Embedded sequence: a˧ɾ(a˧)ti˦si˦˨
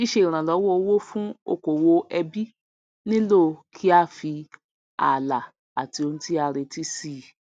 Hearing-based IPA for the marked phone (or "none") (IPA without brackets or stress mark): e˧